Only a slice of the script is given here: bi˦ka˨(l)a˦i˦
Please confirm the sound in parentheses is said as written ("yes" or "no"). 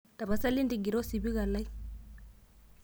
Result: yes